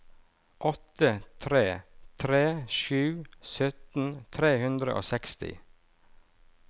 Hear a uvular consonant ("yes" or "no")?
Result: no